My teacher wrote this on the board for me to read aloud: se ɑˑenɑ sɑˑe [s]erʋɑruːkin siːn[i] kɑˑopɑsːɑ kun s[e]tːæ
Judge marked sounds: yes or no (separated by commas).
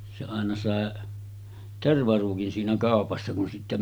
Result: no, no, no